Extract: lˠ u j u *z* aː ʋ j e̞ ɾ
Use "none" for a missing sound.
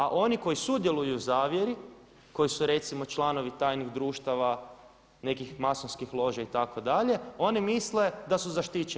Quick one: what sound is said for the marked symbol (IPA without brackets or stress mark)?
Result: z